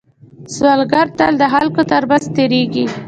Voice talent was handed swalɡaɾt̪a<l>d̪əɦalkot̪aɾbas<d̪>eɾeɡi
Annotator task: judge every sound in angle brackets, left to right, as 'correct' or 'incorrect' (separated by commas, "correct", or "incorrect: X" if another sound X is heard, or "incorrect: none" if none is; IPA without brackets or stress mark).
correct, incorrect: t̪